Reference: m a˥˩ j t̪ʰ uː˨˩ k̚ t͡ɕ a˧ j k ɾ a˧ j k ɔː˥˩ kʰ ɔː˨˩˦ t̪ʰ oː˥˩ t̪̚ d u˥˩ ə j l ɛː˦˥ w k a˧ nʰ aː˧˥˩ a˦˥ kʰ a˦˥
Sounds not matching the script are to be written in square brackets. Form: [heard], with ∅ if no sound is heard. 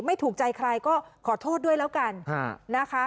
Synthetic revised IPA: m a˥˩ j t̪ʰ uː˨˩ k̚ t͡ɕ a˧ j [kʰ] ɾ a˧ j k ɔː˥˩ kʰ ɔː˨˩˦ t̪ʰ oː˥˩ t̪̚ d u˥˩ ə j l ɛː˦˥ w k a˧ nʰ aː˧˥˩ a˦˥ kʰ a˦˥